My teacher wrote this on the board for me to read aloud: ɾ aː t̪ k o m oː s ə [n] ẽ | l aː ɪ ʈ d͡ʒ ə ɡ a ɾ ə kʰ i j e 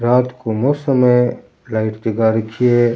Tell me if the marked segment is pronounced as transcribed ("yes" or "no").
no